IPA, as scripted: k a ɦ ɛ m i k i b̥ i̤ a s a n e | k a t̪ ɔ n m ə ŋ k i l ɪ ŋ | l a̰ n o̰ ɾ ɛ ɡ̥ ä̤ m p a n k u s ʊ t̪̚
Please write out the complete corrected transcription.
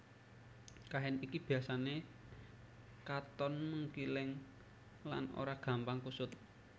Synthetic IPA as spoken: k a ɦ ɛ n i k i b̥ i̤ a s a n e | k a t̪ ɔ n m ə ŋ k i l ɪ ŋ | l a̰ n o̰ ɾ a ɡ̥ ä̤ m p a ŋ k u s ʊ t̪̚